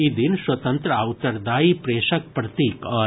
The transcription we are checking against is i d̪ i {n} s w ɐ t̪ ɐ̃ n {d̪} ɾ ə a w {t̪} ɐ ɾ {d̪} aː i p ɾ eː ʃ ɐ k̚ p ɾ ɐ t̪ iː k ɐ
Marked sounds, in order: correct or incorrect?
correct, incorrect, correct, correct

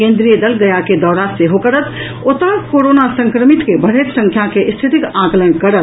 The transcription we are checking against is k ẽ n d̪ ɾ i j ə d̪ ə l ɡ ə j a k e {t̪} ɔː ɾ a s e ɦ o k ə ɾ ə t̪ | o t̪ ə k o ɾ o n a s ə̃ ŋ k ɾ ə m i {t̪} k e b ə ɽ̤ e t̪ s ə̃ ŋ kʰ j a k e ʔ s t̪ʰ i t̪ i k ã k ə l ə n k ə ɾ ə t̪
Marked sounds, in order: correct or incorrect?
incorrect, correct

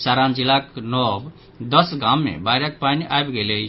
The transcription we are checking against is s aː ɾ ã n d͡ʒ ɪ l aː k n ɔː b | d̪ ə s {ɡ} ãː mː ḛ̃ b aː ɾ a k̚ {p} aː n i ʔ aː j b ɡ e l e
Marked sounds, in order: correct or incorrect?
correct, correct

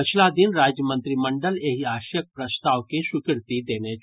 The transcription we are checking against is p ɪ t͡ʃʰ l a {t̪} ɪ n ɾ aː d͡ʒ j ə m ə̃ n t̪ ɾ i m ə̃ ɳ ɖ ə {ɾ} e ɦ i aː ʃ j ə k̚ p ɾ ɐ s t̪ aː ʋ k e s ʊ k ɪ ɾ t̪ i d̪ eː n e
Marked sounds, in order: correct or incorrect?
incorrect, incorrect

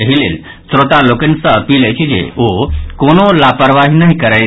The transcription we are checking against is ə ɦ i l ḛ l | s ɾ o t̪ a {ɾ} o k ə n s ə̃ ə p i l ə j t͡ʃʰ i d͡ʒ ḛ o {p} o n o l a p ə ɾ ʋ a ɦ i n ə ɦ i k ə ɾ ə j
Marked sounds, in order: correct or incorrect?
incorrect, incorrect

